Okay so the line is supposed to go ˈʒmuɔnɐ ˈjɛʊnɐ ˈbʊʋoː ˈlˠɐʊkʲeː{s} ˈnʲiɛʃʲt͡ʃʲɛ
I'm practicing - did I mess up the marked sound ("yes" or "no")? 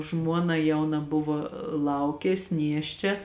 no